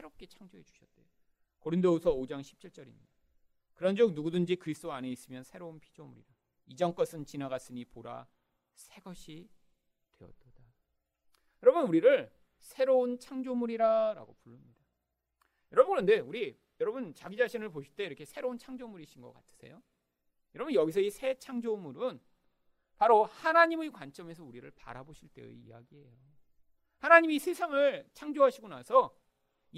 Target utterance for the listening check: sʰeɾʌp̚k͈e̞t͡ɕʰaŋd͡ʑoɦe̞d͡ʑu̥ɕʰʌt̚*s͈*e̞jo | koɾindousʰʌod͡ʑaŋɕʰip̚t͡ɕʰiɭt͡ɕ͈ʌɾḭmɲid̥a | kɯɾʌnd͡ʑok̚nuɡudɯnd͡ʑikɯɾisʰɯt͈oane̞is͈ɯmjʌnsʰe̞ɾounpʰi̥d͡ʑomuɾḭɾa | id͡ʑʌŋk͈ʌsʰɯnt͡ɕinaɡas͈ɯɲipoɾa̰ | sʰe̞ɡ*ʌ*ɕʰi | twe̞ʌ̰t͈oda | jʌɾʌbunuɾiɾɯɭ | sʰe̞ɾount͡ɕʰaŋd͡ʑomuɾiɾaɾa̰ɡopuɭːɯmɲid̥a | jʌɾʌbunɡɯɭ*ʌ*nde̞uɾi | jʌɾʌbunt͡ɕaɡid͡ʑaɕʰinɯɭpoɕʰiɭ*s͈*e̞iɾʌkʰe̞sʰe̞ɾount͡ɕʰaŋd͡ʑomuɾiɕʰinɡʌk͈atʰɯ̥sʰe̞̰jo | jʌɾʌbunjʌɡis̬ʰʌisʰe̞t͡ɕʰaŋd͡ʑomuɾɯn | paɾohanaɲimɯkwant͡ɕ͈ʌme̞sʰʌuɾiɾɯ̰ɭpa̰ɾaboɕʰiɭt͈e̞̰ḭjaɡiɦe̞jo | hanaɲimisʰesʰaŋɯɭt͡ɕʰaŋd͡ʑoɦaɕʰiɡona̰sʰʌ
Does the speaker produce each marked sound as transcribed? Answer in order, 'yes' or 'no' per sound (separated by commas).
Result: no, yes, yes, no